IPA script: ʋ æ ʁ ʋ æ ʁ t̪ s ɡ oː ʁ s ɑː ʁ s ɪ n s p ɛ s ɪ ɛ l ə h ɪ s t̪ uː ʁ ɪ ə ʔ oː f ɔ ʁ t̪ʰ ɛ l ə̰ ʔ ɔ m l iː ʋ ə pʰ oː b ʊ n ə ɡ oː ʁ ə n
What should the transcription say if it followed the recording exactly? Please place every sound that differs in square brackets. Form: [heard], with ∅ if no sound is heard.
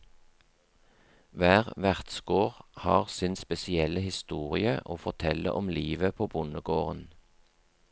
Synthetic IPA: ʋ [æː] ʁ ʋ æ ʁ t̪ s ɡ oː ʁ [h] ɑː ʁ s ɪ n s p ɛ s ɪ ɛ l ə h ɪ s t̪ uː ʁ ɪ ə ʔ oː f ɔ ʁ t̪ʰ ɛ l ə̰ ʔ ɔ m l iː ʋ ə pʰ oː b ʊ n ə ɡ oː ʁ ə n